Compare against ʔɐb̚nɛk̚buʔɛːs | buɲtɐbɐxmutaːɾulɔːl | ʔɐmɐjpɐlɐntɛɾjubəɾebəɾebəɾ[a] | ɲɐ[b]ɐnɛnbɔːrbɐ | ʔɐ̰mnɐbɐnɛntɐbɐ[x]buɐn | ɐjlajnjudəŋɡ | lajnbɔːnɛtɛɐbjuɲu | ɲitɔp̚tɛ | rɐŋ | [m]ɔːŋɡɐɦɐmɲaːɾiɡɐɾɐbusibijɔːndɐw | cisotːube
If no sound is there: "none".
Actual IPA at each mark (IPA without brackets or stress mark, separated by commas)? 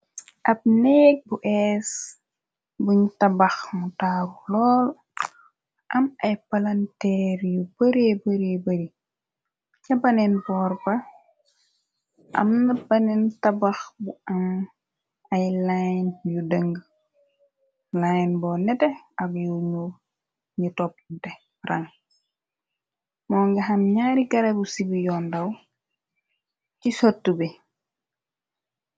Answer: i, b, x, m